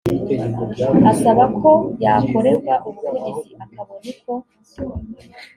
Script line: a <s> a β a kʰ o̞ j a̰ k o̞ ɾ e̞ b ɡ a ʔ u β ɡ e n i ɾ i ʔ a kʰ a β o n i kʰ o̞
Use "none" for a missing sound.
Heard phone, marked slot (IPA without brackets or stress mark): s